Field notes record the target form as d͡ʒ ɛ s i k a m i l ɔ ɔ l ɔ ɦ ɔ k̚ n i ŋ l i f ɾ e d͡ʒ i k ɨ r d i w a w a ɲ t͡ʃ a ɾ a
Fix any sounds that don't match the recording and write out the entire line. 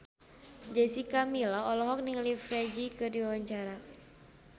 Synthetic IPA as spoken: d͡ʒ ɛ s i k a m i l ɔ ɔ l ɔ ɦ ɔ k̚ n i ŋ l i f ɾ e d͡ʒ i k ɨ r d i w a w a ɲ t͡ʃ a ɾ a